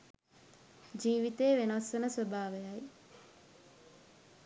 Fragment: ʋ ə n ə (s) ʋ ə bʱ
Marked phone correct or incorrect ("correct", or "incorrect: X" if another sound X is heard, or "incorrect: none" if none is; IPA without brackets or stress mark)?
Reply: correct